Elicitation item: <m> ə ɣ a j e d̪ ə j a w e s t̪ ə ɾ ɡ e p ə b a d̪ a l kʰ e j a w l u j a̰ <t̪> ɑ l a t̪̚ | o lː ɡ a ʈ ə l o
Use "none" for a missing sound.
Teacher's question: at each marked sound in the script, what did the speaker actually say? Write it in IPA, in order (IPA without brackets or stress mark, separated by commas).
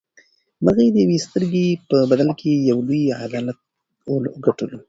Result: m, d̪